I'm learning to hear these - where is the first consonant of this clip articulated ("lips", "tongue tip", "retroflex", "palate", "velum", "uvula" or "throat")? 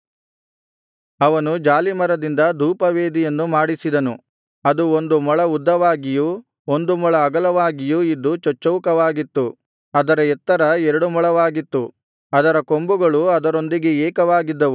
lips